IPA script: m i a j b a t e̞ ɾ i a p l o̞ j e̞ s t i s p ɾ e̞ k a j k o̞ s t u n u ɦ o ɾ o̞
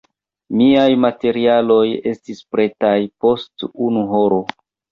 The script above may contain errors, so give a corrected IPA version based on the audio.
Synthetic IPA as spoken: m i a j m a t e̞ ɾ i a l o̞ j e̞ s t i s p ɾ e̞ t a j p o̞ s t u n u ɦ o ɾ o̞